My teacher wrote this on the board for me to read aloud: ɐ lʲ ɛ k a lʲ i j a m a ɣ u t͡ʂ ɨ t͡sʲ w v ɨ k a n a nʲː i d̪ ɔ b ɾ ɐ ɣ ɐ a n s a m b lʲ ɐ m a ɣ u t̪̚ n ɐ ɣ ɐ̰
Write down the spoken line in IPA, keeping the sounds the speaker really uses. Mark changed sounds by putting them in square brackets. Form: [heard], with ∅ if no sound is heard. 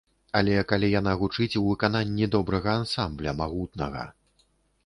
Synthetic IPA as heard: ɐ lʲ ɛ k a lʲ i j a [n] a ɣ u t͡ʂ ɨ t͡sʲ w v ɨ k a n a nʲː i d̪ ɔ b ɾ ɐ ɣ ɐ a n s a m b lʲ ɐ m a ɣ u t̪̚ n ɐ ɣ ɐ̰

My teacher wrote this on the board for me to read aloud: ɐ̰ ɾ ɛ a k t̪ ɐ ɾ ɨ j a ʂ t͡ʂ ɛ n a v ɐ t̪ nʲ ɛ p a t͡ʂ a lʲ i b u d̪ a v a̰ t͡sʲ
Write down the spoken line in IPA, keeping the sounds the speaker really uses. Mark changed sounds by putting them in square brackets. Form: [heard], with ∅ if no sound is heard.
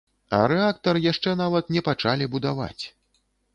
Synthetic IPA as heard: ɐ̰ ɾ ɛ a k t̪ ɐ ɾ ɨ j a ʂ t͡ʂ ɛ n a v ɐ t̪ nʲ ɛ p a t͡ʂ a lʲ i b u d̪ a v a̰ t͡sʲ

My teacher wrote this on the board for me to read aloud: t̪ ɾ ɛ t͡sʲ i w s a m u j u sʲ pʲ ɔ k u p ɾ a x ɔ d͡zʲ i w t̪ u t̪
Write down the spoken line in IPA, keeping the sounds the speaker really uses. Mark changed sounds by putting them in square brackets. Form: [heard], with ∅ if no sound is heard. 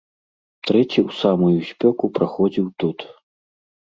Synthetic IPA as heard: t̪ ɾ ɛ t͡sʲ i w s a m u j u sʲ pʲ ɔ k u p ɾ a x ɔ d͡zʲ i w t̪ u t̪

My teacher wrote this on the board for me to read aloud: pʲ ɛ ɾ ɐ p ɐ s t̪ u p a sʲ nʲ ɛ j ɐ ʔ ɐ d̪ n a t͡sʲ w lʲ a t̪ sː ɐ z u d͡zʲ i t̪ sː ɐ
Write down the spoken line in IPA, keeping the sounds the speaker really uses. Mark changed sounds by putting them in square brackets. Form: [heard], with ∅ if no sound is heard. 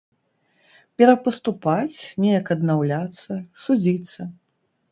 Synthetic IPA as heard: pʲ ɛ ɾ ɐ p ɐ s t̪ u p a [t͡sʲ] nʲ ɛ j ɐ [k] ɐ d̪ n a [∅] w lʲ a t̪ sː ɐ [s] u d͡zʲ i t̪ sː ɐ

